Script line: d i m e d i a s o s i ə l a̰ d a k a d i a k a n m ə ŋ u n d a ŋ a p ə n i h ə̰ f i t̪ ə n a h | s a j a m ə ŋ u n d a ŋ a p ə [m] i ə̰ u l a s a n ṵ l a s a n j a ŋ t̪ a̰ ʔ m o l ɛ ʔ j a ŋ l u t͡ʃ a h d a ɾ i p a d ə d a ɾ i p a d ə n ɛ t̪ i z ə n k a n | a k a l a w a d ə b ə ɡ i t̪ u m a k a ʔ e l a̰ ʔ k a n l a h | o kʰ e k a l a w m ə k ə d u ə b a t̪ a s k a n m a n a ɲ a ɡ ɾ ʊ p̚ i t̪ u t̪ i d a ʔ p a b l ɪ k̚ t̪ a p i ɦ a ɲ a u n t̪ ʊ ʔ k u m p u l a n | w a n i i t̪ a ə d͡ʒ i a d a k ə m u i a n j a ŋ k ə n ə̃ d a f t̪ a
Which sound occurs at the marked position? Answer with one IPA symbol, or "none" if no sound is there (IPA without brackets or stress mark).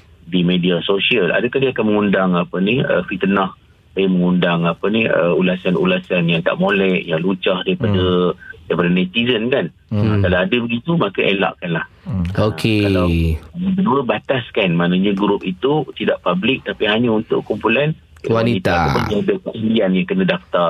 n